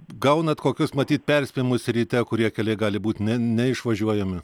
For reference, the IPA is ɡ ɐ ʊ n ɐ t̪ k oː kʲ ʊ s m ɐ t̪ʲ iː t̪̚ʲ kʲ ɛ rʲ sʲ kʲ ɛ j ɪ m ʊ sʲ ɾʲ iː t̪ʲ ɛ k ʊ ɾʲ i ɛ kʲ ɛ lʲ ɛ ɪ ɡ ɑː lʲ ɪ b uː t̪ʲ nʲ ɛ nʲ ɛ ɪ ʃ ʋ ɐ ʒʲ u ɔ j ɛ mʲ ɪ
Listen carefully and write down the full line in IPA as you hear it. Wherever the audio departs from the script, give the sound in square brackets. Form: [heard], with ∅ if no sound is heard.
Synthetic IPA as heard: ɡ ɐ ʊ n ɐ t̪ k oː kʲ ʊ s m ɐ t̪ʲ iː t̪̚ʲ [pʲ] ɛ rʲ sʲ [pʲ] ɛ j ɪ m ʊ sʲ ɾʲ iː t̪ʲ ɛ k ʊ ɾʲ i ɛ kʲ ɛ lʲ ɛ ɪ ɡ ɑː lʲ ɪ b uː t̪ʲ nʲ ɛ nʲ ɛ ɪ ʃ ʋ ɐ ʒʲ u ɔ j ɛ mʲ ɪ